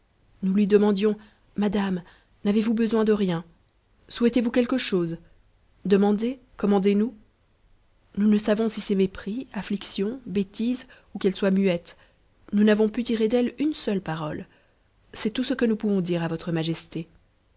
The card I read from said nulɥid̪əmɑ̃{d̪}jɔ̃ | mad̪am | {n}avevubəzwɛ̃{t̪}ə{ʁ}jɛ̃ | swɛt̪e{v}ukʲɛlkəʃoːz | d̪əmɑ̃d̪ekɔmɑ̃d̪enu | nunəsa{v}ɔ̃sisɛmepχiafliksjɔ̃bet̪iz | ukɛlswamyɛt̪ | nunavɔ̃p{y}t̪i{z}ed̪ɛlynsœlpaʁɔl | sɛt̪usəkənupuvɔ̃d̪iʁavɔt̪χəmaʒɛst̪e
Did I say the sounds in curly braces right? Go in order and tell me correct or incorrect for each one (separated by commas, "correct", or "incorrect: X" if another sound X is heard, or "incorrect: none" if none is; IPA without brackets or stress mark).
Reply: correct, correct, incorrect: d̪, correct, correct, correct, correct, incorrect: ʁ